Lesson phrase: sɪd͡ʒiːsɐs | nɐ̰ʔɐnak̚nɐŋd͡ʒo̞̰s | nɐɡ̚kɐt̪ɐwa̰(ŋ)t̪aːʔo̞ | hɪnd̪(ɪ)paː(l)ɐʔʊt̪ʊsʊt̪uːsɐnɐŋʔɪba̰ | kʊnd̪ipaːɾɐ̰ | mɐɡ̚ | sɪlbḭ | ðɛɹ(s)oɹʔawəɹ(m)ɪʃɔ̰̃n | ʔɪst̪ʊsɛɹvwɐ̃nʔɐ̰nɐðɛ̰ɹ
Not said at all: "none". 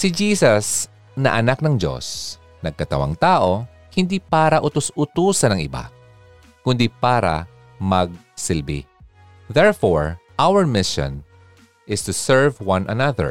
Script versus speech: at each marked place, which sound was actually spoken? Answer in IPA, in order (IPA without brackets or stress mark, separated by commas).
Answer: ŋ, i, ɾ, f, m